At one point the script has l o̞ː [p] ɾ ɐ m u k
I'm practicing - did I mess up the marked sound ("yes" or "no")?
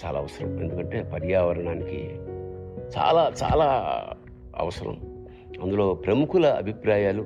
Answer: no